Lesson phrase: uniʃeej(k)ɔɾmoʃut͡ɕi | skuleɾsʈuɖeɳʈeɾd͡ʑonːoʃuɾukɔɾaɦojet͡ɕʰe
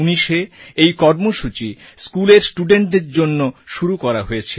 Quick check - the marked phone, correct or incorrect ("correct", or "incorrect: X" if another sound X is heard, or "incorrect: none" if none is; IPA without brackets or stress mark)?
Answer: correct